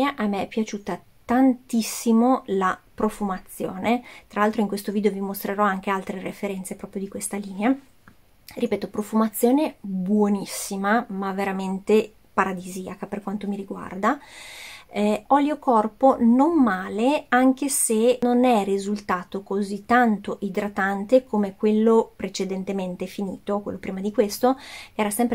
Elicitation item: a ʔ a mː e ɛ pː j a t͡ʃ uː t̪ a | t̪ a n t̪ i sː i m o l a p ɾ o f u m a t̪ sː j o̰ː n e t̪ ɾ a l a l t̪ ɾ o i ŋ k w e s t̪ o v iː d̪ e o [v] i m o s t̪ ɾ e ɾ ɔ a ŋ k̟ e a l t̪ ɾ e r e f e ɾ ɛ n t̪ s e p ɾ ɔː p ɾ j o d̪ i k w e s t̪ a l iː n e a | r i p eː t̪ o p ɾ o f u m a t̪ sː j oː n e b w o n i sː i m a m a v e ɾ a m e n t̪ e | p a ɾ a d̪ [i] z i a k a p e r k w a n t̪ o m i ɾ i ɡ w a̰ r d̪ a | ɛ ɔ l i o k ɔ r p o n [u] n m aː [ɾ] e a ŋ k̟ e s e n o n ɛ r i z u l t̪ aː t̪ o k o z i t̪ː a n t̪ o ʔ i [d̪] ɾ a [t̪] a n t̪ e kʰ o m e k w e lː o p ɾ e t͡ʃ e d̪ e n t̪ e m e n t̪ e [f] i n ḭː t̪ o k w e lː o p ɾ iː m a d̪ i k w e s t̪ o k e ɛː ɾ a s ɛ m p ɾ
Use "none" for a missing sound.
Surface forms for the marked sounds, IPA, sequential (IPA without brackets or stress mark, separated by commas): v, i, o, l, d̪, t̪, f